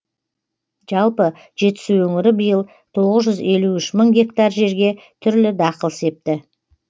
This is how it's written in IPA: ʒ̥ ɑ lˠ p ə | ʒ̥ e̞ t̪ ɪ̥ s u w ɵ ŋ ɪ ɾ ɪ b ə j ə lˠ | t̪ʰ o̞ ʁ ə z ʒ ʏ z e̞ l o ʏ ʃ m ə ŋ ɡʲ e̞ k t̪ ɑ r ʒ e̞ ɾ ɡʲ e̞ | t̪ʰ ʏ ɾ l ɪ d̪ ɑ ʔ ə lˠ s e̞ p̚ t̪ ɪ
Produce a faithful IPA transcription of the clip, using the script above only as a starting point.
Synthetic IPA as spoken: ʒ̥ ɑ lˠ p ə | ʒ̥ e̞ t̪ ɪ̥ s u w ɵ ŋ ɪ ɾ ɪ b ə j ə lˠ | t̪ʰ o̞ ʁ ə z ʒ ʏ z e̞ l u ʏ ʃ m ə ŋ ɡʲ e̞ k t̪ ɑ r ʒ e̞ ɾ ɡʲ e̞ | t̪ʰ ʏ ɾ l ɪ d̪ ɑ q ə lˠ s e̞ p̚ t̪ ɪ